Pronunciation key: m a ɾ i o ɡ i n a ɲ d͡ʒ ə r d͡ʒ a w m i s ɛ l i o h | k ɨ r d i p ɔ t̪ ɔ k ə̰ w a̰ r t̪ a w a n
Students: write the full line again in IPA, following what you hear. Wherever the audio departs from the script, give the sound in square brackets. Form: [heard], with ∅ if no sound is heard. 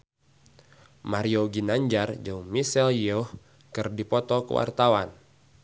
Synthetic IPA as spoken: m a ɾ i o ɡ i n a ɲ d͡ʒ [a] r d͡ʒ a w m i s ɛ l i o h | k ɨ r d i p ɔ t̪ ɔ k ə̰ w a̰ r t̪ a w a n

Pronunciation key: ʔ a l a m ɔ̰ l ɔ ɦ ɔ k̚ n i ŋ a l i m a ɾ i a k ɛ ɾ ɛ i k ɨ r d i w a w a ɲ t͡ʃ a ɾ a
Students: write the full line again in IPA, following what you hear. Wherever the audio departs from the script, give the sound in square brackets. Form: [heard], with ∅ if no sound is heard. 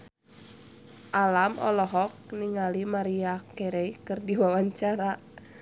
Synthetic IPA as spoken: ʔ a l a m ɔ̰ l ɔ ɦ ɔ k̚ n i ŋ a l i m a ɾ i a k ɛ ɾ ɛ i k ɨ r d i w a w a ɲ t͡ʃ a ɾ a

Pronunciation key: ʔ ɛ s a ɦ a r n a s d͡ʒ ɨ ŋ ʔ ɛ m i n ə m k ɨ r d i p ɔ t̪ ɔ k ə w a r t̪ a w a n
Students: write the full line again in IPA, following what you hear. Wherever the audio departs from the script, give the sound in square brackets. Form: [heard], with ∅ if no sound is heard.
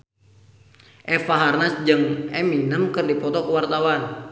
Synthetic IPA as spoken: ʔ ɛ [f] a ɦ a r n a s d͡ʒ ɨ ŋ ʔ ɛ m i n ə m k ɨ r d i p ɔ t̪ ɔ k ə w a r t̪ a w a n

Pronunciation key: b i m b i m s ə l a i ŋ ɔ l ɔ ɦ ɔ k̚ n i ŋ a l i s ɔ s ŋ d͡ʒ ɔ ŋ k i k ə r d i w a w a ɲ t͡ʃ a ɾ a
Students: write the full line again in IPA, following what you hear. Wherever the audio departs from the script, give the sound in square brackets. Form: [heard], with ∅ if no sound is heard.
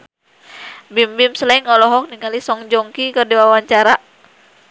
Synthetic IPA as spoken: b i m b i m s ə l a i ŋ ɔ l ɔ ɦ ɔ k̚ n i ŋ a l i s ɔ [∅] ŋ d͡ʒ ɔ ŋ k i k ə r d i w a w a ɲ t͡ʃ a ɾ a

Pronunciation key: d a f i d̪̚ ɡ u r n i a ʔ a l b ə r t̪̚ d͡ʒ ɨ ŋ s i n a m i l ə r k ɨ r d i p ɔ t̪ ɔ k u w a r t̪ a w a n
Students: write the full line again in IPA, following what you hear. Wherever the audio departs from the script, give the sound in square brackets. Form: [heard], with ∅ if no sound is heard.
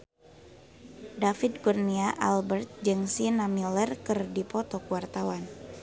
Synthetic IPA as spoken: d a f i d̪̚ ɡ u r n i a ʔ a l b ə r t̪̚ d͡ʒ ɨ ŋ s i n a m i l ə r k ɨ r d i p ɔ t̪ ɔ k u w a r t̪ a w a n

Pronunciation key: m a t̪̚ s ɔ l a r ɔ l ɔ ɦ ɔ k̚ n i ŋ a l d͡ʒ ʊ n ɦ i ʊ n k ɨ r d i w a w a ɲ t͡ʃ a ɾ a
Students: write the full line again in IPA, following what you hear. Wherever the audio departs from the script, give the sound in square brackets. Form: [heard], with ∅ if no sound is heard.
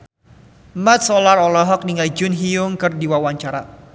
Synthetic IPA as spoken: m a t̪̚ s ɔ l a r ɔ l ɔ ɦ ɔ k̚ n i ŋ a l d͡ʒ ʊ n ɦ i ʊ [ŋ] k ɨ r d i w a w a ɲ t͡ʃ a ɾ a

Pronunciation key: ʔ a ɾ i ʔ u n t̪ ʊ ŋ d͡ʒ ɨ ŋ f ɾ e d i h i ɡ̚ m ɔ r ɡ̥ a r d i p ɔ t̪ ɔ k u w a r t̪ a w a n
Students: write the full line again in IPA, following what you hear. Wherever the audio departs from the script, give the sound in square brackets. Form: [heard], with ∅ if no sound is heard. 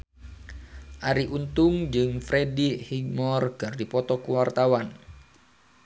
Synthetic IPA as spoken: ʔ a ɾ i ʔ u n t̪ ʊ ŋ d͡ʒ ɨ ŋ f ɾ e d i h i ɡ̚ m ɔ r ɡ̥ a r d i p ɔ t̪ ɔ k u w a r t̪ a w a n

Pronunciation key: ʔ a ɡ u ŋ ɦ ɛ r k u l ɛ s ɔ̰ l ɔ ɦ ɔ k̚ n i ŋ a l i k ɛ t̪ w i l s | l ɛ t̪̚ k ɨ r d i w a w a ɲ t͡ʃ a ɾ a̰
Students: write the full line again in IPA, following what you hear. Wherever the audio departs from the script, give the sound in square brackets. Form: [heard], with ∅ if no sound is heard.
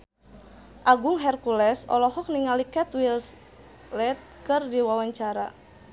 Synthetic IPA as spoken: ʔ a ɡ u ŋ ɦ ɛ r k u l ɛ s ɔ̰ l ɔ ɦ ɔ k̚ n i ŋ a l i k ɛ t̪ w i l s | l ɛ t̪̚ k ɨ r d i w a w a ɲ t͡ʃ a ɾ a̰

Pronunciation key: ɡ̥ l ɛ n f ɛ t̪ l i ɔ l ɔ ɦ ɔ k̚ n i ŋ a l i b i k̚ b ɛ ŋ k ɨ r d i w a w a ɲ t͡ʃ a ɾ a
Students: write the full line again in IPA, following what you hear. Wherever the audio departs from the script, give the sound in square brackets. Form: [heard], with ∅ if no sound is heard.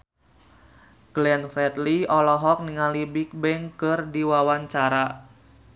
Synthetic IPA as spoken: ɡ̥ l ɛ n f ɛ t̪ l i ɔ l ɔ ɦ ɔ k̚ n i ŋ a l i b i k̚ b ɛ ŋ k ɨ r d i w a w a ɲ t͡ʃ a ɾ a

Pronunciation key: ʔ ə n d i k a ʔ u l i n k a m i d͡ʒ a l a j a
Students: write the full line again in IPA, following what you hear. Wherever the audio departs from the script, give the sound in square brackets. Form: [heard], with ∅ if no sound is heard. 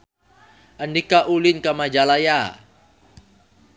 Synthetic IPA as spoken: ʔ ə n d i k a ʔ u l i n k a m [a] d͡ʒ a l a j a

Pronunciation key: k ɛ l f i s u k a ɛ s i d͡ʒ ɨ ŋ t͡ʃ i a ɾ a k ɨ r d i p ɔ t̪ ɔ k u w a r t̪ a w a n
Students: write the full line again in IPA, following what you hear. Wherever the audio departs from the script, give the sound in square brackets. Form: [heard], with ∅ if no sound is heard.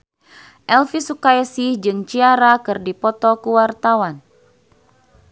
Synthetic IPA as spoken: [ʔ] ɛ l f i s u k a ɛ s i d͡ʒ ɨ ŋ t͡ʃ i a ɾ a k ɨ r d i p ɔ t̪ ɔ k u w a r t̪ a w a n

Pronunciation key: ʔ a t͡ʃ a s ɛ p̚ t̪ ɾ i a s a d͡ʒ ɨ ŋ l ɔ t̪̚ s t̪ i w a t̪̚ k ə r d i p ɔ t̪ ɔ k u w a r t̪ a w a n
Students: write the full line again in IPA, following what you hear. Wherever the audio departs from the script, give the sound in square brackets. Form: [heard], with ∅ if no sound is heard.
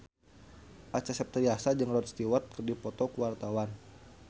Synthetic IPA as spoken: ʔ a t͡ʃ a s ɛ p̚ t̪ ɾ i a s a d͡ʒ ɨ ŋ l ɔ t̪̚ s t̪ i w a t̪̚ k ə r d i p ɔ t̪ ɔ k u w a r t̪ a w a n

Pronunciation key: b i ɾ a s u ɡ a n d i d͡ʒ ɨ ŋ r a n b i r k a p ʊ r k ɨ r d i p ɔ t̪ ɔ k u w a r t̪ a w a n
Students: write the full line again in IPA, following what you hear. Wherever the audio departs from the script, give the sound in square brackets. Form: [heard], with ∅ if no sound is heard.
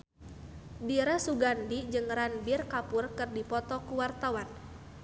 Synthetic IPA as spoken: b i ɾ a s u ɡ a n d i d͡ʒ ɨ ŋ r a n b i r k a p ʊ r k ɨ r d i p ɔ t̪ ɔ k u w a r t̪ a w a n

